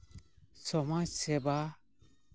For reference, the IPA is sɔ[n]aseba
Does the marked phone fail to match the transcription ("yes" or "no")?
yes